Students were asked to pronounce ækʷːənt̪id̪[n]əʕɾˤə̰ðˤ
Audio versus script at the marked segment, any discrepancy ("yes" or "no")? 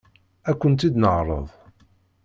no